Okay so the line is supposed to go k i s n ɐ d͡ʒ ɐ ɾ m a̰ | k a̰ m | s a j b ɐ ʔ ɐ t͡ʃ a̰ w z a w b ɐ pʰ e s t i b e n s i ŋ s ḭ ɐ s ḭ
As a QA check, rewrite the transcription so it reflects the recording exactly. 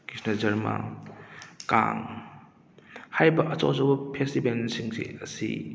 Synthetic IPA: k i s n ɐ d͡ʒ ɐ ɾ m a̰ | k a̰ ŋ | h a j b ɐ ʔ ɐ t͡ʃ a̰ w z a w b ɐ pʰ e s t i b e n s i ŋ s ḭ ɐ s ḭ